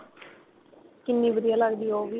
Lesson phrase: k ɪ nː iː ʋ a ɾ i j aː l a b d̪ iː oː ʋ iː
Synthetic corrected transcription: k ɪ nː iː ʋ ə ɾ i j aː l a ɡ d̪ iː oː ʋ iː